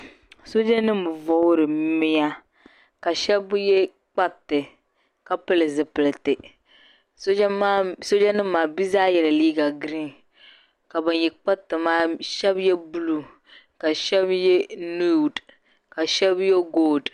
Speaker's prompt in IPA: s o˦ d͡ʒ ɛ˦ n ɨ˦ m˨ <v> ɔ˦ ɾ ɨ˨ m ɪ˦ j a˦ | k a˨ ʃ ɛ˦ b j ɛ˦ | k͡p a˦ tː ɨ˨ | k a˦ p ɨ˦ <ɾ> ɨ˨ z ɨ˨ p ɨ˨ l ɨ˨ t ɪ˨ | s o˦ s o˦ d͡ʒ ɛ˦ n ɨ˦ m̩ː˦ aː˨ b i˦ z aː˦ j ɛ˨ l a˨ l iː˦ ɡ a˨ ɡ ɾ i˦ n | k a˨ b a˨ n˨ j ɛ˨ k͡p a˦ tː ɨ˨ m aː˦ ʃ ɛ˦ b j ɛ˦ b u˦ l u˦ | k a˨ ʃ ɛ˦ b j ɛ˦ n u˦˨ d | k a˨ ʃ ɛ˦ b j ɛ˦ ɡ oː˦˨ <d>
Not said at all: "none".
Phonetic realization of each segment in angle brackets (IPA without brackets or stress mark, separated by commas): v, l, d